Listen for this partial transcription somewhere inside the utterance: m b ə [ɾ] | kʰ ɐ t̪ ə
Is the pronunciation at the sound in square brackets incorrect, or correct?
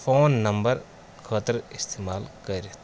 correct